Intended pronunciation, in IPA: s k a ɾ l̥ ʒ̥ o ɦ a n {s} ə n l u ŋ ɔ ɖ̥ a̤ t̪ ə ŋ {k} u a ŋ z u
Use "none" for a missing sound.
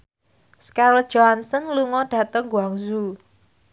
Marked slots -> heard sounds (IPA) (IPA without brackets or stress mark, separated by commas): s, ɡ